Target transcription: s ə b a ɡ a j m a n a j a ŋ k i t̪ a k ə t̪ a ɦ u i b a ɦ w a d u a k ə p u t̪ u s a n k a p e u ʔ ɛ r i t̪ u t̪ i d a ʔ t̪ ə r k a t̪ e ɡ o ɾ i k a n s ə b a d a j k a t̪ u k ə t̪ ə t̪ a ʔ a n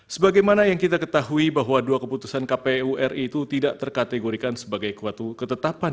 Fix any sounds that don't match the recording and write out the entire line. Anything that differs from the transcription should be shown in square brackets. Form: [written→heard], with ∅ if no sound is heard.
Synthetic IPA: s ə b a ɡ a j m a n a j a ŋ k i t̪ a k ə t̪ a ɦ u i b a ɦ w a d u a k ə p u t̪ u s a n k a p e u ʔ ɛ r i t̪ u t̪ i d a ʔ t̪ ə r k a t̪ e ɡ o ɾ i k a n s ə b a [d→ɡ] a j k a t̪ u k ə t̪ ə t̪ a [ʔ→p] a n